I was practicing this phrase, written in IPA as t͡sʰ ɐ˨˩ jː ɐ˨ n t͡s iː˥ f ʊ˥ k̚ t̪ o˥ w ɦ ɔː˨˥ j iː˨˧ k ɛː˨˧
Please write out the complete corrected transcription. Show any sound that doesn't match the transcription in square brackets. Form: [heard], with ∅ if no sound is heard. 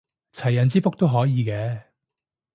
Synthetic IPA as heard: t͡sʰ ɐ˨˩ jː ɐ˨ n t͡s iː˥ f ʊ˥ k̚ t̪ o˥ w ɦ ɔː˨˥ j iː˨˧ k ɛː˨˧